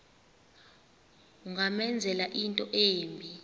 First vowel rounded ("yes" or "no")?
yes